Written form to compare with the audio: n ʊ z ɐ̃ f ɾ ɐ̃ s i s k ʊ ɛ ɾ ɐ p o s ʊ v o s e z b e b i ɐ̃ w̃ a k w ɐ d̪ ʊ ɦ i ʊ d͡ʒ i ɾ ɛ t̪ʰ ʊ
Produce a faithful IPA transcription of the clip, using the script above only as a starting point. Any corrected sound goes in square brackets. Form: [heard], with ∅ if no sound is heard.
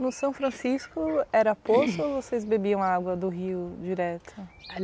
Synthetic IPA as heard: n ʊ [s] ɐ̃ f ɾ ɐ̃ s i s k ʊ ɛ ɾ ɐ p o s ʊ v o s e z b e b i ɐ̃ w̃ a [ɡ] w ɐ d̪ ʊ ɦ i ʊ d͡ʒ i ɾ ɛ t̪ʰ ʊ